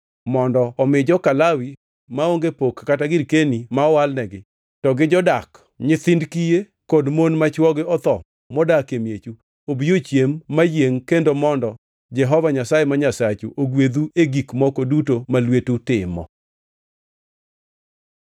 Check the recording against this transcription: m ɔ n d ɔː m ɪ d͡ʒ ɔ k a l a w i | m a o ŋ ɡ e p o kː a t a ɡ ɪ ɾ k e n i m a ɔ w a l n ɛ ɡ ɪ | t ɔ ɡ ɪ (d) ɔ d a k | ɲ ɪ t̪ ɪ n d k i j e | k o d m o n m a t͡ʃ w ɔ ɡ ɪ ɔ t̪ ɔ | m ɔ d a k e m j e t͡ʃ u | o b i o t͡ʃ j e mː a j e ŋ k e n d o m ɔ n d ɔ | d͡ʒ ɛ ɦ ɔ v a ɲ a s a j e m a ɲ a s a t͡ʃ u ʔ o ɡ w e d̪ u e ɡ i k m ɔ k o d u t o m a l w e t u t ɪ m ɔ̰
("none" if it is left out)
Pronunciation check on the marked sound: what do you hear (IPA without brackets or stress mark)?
d͡ʒ